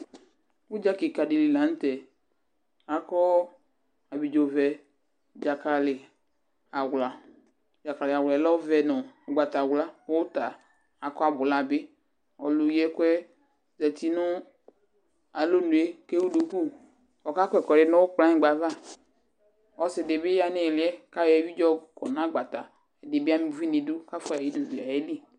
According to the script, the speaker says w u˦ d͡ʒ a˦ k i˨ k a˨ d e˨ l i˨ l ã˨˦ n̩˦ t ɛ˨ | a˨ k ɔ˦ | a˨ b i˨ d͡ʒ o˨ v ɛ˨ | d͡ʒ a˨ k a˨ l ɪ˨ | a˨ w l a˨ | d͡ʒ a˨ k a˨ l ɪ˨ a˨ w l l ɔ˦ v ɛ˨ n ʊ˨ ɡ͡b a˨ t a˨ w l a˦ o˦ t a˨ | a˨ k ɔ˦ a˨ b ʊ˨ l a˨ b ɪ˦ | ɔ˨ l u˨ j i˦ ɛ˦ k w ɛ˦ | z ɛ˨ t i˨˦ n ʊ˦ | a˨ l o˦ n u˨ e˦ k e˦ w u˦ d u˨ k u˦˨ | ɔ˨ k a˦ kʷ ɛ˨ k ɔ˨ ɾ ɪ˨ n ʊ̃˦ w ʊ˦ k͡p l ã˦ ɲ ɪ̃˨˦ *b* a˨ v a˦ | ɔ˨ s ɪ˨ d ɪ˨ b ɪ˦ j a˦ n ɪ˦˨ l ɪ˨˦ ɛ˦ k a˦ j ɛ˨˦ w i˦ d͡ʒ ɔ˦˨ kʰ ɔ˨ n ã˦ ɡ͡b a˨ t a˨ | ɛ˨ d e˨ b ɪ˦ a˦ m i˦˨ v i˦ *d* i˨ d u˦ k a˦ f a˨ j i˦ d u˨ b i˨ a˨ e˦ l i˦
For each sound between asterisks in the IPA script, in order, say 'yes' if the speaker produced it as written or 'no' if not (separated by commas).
no, no